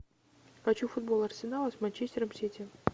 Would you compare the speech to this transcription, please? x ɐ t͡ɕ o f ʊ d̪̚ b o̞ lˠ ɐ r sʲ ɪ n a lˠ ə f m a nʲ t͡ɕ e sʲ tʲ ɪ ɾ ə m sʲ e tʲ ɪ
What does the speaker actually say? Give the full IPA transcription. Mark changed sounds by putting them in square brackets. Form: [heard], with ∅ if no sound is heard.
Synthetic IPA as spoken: x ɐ t͡ɕ [u] f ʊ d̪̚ b o̞ lˠ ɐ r sʲ ɪ n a lˠ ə [s] m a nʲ t͡ɕ e sʲ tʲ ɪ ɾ ə m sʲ e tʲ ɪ